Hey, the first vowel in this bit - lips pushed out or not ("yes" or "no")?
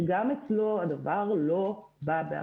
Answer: no